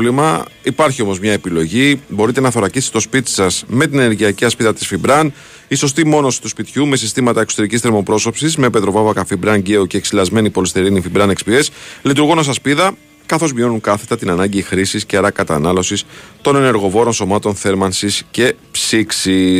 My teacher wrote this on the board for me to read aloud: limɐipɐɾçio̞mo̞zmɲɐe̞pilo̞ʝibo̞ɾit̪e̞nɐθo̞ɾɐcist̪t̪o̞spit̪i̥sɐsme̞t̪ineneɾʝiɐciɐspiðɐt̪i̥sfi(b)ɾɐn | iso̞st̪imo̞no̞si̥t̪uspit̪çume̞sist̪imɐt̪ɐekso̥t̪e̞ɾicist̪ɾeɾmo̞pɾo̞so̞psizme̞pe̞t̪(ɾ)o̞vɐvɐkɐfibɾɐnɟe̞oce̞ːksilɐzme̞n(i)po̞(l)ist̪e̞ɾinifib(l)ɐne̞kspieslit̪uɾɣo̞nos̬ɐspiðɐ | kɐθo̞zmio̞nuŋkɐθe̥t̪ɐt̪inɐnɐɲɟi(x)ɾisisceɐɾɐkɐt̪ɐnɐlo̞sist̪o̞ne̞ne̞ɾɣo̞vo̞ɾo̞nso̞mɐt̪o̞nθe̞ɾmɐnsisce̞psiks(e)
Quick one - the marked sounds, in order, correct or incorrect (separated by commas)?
correct, correct, correct, correct, incorrect, correct, incorrect